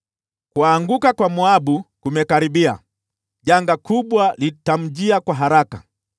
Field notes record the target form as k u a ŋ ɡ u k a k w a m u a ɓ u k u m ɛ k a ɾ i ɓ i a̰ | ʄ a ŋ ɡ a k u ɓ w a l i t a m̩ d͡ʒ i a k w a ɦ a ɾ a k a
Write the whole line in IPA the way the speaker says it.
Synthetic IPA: k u a ŋ ɡ u k a k w a m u a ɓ u k u m ɛ k a ɾ i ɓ i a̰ | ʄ a ŋ ɡ a k u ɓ w a l i t a m̩ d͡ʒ i a k w a ɦ a ɾ a k a